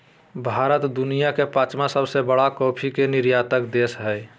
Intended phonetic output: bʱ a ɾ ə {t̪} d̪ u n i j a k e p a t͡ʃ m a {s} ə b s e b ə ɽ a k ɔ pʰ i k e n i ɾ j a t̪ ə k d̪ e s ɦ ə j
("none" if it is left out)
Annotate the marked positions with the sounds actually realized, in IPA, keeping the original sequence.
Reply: t̪, s

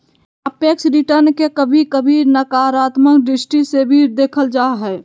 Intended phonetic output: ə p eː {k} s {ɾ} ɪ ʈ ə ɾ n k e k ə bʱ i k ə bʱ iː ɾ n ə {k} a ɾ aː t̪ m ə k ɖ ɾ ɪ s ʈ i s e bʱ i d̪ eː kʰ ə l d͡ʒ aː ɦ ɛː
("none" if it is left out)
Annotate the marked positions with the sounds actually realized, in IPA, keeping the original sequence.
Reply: k, ɾ, k

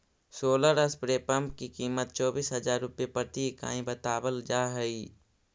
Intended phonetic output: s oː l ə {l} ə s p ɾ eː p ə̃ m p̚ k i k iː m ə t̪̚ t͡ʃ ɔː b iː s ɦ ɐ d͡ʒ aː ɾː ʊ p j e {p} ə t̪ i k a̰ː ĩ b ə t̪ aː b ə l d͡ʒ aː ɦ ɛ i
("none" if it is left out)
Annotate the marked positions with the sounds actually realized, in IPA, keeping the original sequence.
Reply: ɾ, p

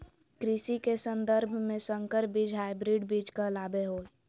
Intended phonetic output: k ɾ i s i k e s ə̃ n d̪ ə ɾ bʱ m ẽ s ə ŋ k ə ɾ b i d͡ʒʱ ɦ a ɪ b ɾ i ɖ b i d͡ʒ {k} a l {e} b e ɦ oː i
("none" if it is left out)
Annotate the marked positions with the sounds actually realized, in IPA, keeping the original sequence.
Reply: k, a

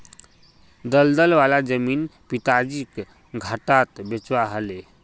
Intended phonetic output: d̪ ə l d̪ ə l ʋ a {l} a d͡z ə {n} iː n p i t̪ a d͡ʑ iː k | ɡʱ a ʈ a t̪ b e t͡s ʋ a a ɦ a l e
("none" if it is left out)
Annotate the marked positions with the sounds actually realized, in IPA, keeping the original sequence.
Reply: l, m

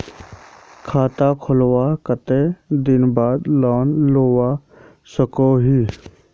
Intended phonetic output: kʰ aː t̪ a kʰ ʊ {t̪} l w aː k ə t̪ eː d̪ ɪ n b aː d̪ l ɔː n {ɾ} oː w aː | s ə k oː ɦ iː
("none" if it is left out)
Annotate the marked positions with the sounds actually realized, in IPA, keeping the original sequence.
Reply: none, l

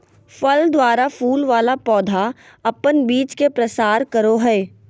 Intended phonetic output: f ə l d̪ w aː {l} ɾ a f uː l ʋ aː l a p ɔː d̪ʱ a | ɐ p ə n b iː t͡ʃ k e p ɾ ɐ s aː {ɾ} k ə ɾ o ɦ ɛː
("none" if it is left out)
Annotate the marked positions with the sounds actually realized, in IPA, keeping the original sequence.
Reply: none, ɾ

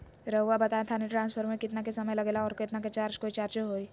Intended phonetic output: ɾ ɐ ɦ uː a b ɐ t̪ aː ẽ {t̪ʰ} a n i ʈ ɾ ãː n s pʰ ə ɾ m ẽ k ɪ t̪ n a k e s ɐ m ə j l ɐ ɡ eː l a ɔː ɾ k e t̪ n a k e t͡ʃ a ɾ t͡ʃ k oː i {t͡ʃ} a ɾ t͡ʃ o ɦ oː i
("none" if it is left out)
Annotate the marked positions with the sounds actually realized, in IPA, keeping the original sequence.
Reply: t̪ʰ, t͡ʃ

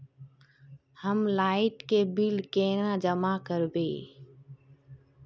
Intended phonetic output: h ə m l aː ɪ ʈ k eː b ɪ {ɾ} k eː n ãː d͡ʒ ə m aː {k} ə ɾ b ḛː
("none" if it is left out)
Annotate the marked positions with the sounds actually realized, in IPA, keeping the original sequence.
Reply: l, k

